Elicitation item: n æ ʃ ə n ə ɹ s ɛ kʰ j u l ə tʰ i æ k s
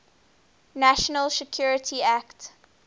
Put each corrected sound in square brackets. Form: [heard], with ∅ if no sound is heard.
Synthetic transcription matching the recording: n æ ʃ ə n ə [l] s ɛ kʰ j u [ɹ] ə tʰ i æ k [t]